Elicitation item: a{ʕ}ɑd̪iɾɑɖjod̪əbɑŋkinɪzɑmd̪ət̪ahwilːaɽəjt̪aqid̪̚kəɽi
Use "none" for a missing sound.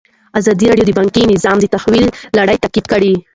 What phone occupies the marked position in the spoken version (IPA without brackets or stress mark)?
z